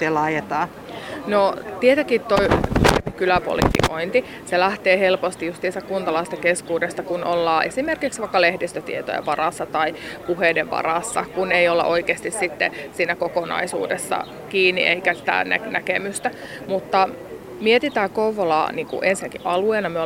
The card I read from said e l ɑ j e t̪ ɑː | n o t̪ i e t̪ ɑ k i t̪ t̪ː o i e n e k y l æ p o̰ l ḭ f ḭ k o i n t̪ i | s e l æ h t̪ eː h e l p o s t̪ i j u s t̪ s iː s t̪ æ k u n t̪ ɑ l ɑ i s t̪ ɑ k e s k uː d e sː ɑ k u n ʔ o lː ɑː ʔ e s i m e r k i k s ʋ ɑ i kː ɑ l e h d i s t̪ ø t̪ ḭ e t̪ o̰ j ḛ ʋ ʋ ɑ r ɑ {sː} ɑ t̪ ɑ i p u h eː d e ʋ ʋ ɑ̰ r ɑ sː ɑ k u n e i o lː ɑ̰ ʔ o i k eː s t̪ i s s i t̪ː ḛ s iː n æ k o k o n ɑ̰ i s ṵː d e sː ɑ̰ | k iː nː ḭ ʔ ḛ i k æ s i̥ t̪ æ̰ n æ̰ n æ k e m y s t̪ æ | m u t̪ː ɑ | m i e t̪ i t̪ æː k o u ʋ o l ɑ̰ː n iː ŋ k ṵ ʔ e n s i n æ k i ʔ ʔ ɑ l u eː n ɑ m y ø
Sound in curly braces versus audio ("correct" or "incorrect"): correct